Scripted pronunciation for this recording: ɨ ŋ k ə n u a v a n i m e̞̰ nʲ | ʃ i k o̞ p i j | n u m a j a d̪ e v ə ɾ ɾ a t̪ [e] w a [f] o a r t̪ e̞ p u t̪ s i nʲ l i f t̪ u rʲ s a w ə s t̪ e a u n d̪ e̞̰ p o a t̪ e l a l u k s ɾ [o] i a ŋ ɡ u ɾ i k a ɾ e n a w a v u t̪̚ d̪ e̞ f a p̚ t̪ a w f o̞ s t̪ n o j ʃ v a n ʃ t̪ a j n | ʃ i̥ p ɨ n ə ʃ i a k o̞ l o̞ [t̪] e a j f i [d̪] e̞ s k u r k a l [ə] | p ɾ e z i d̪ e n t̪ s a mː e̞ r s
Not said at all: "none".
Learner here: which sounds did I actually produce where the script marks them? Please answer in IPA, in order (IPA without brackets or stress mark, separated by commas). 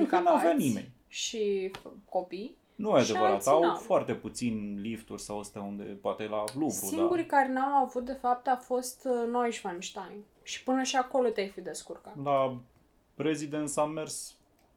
a, f, u, t̪, d̪, a